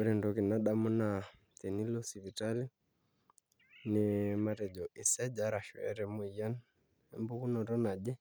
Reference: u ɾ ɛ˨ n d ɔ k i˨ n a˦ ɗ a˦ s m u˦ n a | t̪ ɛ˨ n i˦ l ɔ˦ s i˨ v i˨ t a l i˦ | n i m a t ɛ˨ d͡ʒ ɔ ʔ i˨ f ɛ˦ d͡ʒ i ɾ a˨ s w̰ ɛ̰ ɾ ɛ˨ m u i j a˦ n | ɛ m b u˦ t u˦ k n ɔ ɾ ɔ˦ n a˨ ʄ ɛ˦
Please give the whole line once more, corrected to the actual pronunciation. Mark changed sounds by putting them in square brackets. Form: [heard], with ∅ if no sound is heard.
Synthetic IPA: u ɾ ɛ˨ n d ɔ k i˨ n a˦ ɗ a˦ [∅] m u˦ n a | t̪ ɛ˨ n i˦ l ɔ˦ s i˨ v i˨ t a l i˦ | n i m a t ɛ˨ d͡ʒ ɔ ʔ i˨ [s] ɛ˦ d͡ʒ [a] ɾ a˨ [ʃ] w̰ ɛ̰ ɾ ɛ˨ m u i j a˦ n | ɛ m b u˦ [k] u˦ [∅] n ɔ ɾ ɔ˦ n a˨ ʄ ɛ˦